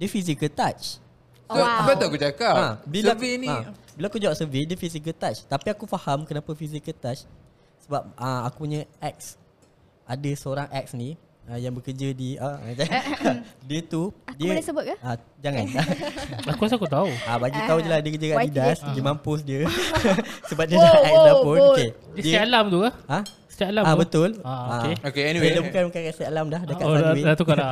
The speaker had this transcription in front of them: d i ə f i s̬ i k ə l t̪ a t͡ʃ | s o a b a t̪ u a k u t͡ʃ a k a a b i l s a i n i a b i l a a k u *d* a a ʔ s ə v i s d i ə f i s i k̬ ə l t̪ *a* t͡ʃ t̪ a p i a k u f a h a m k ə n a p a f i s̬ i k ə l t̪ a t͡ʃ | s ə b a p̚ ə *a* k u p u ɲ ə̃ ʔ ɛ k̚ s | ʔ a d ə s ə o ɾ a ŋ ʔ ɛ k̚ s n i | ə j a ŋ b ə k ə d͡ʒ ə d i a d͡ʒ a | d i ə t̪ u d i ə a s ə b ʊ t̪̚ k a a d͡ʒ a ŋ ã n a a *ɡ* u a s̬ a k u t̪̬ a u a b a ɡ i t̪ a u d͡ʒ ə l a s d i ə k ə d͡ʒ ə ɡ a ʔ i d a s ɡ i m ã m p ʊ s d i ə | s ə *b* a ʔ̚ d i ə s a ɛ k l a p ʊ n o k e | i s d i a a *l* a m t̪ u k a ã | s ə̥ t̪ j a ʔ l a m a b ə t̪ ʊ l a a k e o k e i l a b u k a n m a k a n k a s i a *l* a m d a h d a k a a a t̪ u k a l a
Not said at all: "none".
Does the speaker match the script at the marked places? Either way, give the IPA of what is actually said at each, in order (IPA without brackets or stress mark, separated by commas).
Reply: d͡ʒ, a, a, k, b, l, l